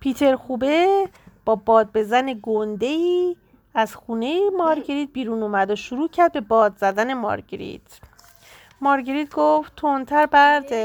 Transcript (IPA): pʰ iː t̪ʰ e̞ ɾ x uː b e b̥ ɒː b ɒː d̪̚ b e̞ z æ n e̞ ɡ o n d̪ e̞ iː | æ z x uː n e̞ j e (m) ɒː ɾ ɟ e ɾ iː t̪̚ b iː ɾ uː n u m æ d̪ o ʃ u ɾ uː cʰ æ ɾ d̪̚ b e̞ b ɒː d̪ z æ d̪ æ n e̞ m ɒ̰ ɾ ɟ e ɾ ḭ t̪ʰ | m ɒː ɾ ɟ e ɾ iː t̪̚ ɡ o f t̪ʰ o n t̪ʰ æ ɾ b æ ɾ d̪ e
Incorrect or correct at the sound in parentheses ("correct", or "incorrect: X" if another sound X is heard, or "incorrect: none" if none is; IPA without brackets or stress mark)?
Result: correct